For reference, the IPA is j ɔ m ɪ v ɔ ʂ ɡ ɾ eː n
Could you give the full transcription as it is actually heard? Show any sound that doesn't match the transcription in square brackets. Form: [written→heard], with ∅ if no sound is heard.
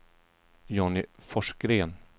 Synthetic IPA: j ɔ [m→n] ɪ [v→f] ɔ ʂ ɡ ɾ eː n